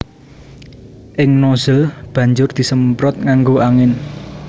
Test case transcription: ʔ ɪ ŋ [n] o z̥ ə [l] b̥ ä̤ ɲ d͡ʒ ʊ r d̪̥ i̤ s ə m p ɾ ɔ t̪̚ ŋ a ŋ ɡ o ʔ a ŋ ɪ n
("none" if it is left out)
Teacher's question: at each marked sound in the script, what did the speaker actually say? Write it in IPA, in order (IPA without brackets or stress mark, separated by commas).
n, l